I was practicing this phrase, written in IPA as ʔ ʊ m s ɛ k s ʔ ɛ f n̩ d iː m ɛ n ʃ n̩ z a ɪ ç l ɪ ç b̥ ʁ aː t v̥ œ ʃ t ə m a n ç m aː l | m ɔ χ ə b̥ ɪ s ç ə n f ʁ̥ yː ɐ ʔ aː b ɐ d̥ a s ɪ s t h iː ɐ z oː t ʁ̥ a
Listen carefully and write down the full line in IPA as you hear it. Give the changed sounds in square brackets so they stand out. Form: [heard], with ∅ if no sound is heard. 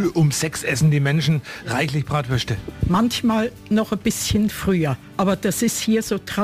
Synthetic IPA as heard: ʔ ʊ m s ɛ k s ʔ ɛ [s] n̩ d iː m ɛ n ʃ n̩ [ʁ] a ɪ ç l ɪ ç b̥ ʁ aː t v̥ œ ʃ t ə m a n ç m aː l | [n] ɔ χ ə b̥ ɪ s ç ə n f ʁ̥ yː ɐ ʔ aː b ɐ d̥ a s ɪ s t h iː ɐ z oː t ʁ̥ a